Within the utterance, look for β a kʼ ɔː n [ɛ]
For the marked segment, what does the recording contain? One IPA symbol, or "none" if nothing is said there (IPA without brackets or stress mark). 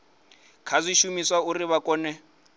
ɛ